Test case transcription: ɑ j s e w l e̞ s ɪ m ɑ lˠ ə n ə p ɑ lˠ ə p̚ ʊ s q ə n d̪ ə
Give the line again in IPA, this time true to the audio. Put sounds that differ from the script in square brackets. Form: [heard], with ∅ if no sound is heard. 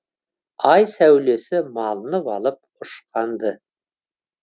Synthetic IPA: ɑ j s [æ] w l e̞ s ɪ m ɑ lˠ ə n ə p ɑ lˠ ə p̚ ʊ [ʃ] q [ɑ] n d̪ ə